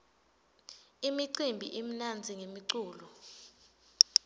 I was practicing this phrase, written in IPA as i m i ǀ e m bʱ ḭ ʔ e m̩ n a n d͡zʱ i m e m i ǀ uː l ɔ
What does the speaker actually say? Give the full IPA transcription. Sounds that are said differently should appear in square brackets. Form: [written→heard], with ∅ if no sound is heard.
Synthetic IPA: i m i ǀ [e→i] m bʱ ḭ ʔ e m̩ n a n d͡zʱ i [m→ŋ] e m i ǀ uː l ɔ